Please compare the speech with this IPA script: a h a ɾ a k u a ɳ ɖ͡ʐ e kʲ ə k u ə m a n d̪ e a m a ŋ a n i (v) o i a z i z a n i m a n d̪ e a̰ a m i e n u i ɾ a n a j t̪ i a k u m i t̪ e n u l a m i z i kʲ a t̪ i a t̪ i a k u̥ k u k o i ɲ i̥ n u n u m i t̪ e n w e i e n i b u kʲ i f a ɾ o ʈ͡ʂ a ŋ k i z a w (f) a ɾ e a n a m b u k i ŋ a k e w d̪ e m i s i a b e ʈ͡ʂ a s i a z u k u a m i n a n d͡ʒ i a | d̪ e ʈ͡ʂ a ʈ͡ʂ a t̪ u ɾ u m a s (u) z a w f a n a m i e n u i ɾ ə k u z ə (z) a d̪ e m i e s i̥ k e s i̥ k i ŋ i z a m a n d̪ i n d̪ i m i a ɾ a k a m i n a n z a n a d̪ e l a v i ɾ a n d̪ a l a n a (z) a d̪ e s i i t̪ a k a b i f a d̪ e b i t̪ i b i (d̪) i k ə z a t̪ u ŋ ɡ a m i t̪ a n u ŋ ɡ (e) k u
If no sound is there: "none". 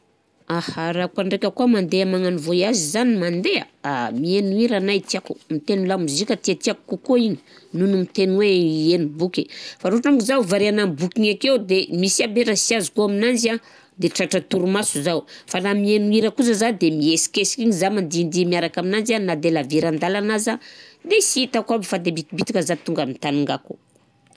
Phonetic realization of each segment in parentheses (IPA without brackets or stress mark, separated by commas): v, v, u, z, z, t̪, a